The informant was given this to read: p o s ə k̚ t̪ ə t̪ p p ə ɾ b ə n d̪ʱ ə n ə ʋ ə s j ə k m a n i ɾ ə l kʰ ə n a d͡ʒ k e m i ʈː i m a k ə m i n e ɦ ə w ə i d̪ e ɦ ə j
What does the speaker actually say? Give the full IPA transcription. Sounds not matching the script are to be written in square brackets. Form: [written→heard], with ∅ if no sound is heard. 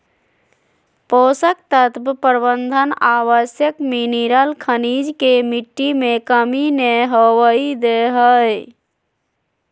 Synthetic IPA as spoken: p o s ə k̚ t̪ ə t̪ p p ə ɾ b ə n d̪ʱ ə n [ə→a] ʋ ə s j ə k m [a→i] n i ɾ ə l kʰ ə n [a→i] d͡ʒ k e m i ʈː i m [a→e] k ə m i n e ɦ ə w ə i d̪ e ɦ ə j